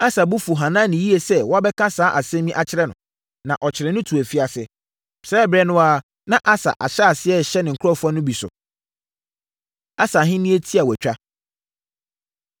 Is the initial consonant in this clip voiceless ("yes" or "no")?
yes